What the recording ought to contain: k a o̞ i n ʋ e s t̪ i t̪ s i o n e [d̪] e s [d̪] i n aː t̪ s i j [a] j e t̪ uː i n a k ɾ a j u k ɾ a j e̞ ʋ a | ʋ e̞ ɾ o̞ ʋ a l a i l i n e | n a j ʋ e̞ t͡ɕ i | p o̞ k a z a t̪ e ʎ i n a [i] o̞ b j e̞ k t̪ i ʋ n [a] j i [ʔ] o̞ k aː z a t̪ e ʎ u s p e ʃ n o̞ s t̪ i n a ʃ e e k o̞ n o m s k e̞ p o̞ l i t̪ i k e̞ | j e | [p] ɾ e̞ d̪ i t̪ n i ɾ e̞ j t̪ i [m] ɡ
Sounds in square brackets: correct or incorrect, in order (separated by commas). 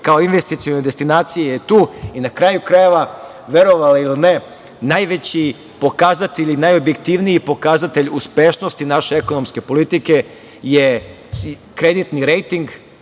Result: correct, incorrect, incorrect, incorrect, incorrect, incorrect, incorrect, incorrect